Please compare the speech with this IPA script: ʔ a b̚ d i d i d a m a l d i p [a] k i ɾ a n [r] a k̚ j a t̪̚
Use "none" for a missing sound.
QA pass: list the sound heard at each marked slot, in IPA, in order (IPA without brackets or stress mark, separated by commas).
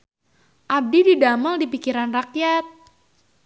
i, r